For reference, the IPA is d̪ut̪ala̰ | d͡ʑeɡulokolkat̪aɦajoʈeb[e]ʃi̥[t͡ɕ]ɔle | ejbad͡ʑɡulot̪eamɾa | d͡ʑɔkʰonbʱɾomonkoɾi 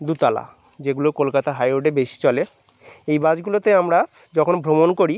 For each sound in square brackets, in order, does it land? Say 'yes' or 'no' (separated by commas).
yes, yes